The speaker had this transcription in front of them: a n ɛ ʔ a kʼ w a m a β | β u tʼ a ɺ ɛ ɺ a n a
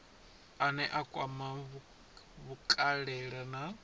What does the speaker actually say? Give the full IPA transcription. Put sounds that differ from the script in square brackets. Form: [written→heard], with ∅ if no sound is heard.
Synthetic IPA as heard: a n ɛ ʔ a kʼ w a m a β | β u [tʼ→kʼ] a ɺ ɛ ɺ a n a